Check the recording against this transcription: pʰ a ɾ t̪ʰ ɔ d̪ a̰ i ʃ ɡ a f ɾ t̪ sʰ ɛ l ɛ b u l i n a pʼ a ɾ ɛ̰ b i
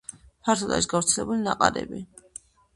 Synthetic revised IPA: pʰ a ɾ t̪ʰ ɔ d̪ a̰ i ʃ ɡ a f ɾ t̪ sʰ ɛ l ɛ b u l i n a qʼ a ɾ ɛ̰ b i